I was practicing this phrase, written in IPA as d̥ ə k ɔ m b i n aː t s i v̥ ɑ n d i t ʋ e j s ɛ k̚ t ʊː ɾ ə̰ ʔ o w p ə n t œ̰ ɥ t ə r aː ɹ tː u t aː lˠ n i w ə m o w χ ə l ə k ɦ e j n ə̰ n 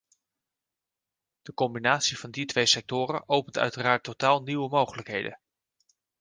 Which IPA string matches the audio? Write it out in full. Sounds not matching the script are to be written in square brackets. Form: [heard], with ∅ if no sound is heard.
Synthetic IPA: d̥ ə k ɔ m b i n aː t s i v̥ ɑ n d i t ʋ e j s ɛ k̚ t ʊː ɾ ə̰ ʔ o w p ə n t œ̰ ɥ t ə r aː ɹ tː [o] t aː lˠ n i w ə m o w χ ə l ə k ɦ e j [d] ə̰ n

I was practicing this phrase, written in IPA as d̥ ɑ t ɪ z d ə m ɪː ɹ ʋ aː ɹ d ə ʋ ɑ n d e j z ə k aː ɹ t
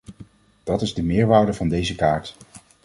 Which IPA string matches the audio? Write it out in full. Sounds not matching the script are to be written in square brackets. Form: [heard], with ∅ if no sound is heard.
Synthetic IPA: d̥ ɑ t ɪ z d ə m ɪː ɹ ʋ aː ɹ d ə [v] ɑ n d e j z ə k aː ɹ t

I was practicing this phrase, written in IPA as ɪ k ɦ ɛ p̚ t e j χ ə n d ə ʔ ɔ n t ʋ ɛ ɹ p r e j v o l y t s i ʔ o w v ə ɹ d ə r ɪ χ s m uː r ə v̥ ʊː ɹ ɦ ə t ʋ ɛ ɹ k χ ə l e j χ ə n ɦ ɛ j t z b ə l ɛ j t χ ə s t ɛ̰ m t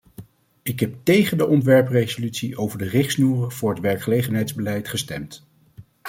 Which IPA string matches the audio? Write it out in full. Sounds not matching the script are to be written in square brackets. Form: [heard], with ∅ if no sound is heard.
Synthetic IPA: ɪ k ɦ ɛ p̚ t e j χ ə n d ə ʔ ɔ n t ʋ ɛ ɹ p r e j [z] o l y t s i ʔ o w v ə ɹ d ə r ɪ χ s [n] uː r ə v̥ ʊː ɹ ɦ ə t ʋ ɛ ɹ k χ ə l e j χ ə n ɦ ɛ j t z b ə l ɛ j t χ ə s t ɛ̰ m t

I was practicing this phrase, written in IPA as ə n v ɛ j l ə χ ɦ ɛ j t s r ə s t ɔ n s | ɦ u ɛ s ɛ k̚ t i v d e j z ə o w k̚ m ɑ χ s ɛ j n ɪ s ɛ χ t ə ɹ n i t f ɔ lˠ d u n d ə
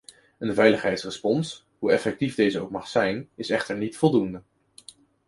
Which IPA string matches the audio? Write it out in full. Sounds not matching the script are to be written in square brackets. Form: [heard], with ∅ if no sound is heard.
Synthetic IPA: ə n v ɛ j l ə χ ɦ ɛ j t s r ə s [p] ɔ n s | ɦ u ɛ [f] ɛ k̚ t i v d e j z ə o w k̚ m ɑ χ s ɛ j n ɪ s ɛ χ t ə ɹ n i t f ɔ lˠ d u n d ə

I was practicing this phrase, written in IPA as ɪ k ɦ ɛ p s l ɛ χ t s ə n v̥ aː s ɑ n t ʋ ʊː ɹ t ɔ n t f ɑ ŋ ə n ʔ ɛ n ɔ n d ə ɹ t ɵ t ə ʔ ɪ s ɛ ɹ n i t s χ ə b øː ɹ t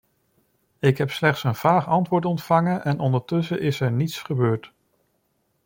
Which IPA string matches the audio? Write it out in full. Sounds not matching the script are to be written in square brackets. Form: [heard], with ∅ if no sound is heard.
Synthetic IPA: ɪ k ɦ ɛ p s l ɛ χ t s ə n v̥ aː [χ] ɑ n t ʋ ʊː ɹ t ɔ n t f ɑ ŋ ə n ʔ ɛ n ɔ n d ə ɹ t ɵ [s] ə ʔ ɪ s ɛ ɹ n i t s χ ə b øː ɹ t

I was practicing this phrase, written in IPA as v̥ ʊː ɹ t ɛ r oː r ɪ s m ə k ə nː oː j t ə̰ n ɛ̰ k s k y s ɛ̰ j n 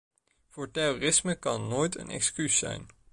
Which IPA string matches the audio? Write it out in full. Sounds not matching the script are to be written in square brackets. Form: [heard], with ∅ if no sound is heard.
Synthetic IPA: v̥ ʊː ɹ t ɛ r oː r ɪ s m ə k [ɑ] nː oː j t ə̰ n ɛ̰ k s k y s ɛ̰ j n

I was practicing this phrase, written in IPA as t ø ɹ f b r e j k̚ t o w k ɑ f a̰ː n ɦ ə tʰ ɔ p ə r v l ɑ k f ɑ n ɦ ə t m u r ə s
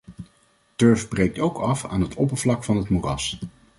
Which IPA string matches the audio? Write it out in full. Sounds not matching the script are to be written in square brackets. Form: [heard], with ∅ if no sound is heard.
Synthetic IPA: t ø ɹ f b r e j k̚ t o w k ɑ f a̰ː n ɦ ə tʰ ɔ p ə [ɹ] v l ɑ k f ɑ n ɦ ə t m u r [ɑ] s

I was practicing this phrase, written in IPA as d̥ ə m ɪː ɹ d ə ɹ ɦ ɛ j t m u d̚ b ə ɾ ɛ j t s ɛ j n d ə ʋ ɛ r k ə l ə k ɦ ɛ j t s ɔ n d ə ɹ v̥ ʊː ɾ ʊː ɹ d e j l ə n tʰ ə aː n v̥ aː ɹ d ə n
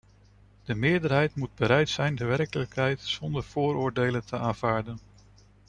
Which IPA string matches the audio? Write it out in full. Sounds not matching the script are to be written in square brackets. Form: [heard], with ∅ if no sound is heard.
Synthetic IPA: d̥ ə m ɪː ɹ d ə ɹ ɦ ɛ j t m u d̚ b ə ɾ ɛ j t s ɛ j n d ə ʋ ɛ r k ə l ə k ɦ ɛ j t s ɔ n d ə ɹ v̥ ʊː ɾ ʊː ɹ d e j l ə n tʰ ə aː n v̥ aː ɹ d ə n

